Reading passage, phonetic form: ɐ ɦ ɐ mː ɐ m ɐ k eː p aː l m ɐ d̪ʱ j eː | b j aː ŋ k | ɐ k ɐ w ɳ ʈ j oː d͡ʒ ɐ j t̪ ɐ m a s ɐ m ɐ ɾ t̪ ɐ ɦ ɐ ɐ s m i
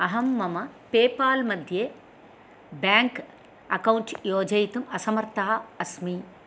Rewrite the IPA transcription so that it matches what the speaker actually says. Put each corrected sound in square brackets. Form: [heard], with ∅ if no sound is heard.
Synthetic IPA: ɐ ɦ ɐ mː ɐ m ɐ [p] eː p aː l m ɐ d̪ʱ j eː | b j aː ŋ k | ɐ k ɐ w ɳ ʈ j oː d͡ʒ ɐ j t̪ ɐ m [ɐ] s ɐ m ɐ ɾ t̪ ɐ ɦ ɐ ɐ s m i